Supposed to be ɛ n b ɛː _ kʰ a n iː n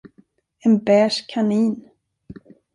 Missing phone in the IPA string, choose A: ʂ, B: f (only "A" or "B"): A